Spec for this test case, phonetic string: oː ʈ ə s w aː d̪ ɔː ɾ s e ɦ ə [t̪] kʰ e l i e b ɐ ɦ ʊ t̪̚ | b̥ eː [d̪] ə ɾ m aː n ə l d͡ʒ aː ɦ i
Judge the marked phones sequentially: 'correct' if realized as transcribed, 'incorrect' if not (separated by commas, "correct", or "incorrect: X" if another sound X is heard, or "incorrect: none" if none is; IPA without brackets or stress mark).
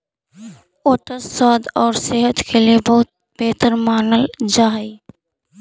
correct, incorrect: t̪